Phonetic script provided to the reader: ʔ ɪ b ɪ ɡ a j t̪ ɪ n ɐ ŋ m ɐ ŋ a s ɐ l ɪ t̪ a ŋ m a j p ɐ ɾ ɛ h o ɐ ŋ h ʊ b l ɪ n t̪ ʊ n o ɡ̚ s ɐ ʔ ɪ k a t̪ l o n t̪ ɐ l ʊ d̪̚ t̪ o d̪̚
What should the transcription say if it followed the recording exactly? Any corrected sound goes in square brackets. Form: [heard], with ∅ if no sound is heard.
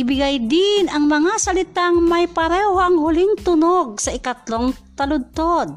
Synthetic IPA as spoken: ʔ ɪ b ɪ ɡ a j [d̪] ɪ n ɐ ŋ m ɐ ŋ a s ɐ l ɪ t̪ a ŋ m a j p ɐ ɾ ɛ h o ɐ ŋ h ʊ [∅] l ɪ [ŋ] t̪ ʊ n o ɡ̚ s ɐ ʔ ɪ k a t̪ l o [ŋ] t̪ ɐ l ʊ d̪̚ t̪ o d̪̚